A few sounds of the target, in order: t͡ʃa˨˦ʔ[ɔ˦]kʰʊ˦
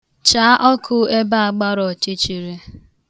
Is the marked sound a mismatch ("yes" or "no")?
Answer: no